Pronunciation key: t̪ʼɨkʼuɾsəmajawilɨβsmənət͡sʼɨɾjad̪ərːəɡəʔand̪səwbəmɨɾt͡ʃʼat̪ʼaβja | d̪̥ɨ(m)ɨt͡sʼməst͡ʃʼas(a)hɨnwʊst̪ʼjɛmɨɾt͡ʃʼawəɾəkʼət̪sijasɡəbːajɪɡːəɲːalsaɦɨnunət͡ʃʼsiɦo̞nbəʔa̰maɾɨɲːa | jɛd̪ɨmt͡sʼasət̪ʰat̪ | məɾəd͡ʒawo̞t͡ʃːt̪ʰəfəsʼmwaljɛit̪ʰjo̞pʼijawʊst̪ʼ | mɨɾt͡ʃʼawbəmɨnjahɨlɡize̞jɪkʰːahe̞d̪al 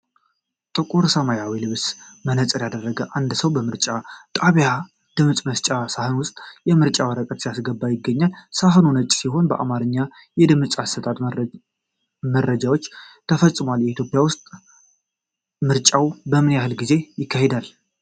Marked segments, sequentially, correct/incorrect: correct, correct

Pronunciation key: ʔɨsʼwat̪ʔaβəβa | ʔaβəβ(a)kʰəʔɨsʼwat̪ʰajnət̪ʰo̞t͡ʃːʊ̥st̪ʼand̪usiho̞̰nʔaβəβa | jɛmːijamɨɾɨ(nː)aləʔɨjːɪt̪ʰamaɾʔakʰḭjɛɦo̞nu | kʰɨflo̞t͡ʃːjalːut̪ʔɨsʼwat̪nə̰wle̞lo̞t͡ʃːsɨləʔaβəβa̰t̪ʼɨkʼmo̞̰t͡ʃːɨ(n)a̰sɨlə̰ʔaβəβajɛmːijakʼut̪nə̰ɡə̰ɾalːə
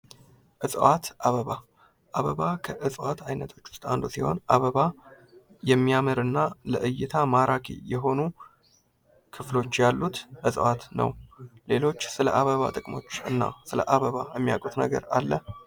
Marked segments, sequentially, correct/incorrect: correct, correct, incorrect: nː

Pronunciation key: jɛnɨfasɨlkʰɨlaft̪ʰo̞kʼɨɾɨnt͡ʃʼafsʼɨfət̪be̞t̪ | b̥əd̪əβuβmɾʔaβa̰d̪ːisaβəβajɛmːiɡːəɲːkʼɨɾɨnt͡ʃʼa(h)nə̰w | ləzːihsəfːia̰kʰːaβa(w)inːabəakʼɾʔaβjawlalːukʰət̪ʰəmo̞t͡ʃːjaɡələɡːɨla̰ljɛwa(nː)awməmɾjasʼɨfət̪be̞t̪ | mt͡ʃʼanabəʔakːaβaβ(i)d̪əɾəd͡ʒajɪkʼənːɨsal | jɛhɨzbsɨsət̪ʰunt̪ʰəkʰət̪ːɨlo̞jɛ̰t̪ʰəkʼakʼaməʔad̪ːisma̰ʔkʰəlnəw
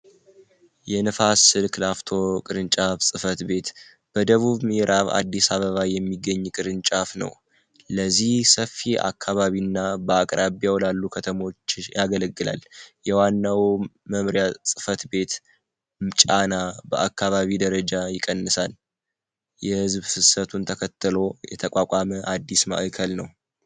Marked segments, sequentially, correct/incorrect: incorrect: f, incorrect: β, correct, correct

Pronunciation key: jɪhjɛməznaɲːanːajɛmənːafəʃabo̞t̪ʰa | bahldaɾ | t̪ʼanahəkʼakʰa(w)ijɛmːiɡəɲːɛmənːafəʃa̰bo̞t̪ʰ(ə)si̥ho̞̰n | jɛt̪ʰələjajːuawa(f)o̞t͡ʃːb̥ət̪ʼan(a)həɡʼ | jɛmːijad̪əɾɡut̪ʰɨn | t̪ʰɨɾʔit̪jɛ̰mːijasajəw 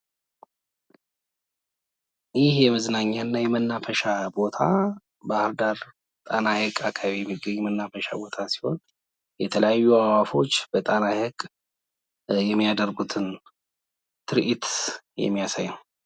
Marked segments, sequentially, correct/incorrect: incorrect: β, incorrect: a, correct, correct

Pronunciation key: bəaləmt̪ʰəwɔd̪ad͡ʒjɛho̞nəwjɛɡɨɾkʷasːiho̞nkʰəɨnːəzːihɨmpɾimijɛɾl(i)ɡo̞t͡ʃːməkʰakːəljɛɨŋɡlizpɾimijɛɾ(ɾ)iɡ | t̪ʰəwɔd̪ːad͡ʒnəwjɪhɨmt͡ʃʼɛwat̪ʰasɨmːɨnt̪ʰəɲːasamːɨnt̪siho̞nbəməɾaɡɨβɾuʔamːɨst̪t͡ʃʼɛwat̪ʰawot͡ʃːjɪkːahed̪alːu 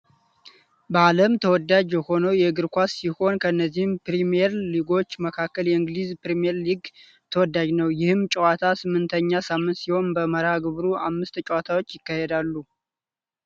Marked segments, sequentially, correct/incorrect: correct, incorrect: l

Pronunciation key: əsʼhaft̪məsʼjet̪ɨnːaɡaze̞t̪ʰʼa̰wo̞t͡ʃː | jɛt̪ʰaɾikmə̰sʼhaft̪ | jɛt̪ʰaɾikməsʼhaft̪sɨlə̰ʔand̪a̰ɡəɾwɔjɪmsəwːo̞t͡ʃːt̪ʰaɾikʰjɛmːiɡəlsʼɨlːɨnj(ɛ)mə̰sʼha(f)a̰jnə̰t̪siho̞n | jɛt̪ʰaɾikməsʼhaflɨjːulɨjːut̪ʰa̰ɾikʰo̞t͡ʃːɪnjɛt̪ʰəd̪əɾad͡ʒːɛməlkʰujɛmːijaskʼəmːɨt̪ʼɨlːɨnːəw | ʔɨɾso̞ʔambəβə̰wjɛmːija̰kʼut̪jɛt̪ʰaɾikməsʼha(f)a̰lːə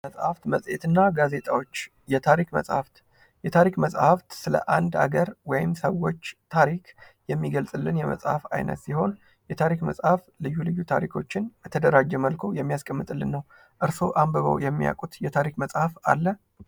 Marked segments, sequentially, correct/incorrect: correct, correct, correct

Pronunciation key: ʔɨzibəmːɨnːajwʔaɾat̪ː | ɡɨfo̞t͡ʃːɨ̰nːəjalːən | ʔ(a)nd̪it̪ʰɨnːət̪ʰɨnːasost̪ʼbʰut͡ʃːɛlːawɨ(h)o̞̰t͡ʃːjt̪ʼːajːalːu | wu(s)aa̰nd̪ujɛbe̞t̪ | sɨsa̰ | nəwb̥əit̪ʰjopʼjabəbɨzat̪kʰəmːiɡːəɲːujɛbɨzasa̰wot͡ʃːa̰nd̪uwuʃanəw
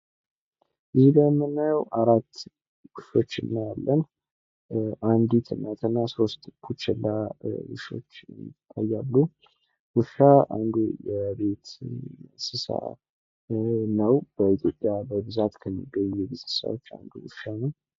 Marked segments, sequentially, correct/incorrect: correct, incorrect: ʃ, incorrect: ʃ

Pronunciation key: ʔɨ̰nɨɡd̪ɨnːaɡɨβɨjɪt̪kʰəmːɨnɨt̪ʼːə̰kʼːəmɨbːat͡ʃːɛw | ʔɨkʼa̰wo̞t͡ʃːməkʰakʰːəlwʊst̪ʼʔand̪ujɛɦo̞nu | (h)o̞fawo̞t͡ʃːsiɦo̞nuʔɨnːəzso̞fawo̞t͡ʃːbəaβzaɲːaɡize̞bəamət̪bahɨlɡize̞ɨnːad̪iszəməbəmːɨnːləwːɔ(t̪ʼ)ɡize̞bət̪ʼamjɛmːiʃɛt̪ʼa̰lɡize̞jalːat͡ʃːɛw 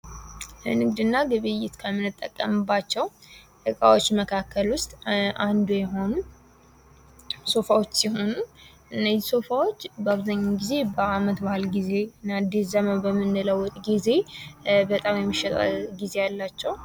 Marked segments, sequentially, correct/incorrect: incorrect: s, correct

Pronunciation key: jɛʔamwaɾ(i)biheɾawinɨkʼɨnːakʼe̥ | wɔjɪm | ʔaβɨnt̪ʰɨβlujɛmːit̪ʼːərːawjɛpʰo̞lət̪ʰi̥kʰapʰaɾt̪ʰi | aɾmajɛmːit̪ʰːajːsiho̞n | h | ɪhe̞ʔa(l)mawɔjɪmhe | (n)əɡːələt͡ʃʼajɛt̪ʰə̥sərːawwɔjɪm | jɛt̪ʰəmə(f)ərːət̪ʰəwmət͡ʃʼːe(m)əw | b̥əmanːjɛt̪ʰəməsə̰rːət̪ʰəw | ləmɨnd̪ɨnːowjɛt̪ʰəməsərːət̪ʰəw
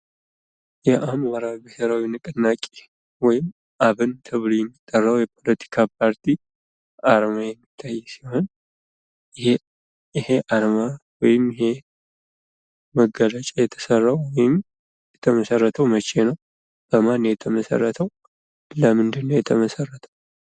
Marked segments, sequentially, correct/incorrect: incorrect: a, incorrect: ɾ, incorrect: m, incorrect: s, incorrect: n

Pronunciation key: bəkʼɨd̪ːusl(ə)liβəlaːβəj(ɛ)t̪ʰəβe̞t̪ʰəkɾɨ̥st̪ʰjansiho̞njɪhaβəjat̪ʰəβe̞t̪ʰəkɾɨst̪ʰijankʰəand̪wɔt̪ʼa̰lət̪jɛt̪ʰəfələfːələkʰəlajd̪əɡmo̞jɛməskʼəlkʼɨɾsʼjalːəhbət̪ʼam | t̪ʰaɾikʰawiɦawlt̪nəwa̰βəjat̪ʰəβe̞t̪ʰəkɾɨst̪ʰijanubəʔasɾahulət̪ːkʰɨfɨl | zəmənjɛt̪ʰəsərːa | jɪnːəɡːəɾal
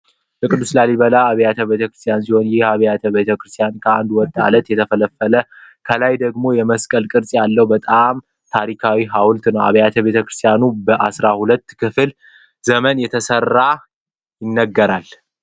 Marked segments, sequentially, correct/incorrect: incorrect: a, incorrect: a

